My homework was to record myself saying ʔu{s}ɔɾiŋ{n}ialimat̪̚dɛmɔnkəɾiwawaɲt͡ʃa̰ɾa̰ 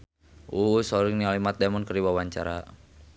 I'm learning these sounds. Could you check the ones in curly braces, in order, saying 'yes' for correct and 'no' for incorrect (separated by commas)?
yes, yes